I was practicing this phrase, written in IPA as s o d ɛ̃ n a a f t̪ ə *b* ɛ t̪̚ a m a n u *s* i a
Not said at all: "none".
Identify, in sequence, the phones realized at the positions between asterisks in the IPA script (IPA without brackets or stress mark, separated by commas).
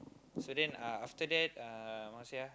d, s